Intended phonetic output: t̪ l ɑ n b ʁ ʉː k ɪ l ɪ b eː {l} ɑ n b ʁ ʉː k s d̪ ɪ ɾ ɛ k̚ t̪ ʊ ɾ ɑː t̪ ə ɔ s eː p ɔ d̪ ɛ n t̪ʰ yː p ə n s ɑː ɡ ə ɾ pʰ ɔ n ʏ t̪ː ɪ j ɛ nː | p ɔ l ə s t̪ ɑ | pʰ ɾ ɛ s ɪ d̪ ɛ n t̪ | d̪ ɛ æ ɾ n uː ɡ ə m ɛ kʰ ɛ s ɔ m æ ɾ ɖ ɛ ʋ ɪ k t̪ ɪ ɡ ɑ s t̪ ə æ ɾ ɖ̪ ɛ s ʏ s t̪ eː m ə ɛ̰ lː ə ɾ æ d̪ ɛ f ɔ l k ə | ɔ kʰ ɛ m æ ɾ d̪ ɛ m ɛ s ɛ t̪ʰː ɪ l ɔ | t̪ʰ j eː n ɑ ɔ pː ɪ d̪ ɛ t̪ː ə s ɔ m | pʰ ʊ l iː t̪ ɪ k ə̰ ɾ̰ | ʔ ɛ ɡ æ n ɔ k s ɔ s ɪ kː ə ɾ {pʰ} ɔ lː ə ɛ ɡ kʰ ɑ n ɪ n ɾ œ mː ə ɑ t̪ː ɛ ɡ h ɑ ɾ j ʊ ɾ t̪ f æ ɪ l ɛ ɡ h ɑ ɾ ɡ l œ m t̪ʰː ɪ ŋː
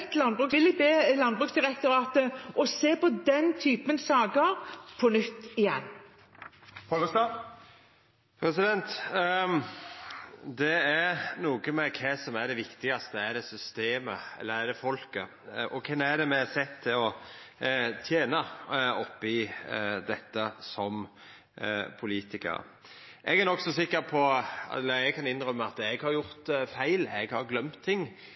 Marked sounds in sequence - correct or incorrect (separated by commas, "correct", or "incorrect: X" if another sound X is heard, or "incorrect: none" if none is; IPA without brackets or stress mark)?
correct, correct